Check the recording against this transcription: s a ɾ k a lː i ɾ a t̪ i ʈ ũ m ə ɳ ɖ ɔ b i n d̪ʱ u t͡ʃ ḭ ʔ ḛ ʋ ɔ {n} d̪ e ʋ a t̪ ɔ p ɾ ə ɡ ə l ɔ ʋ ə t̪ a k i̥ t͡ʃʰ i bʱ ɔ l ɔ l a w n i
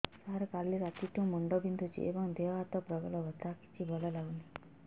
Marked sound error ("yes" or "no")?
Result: yes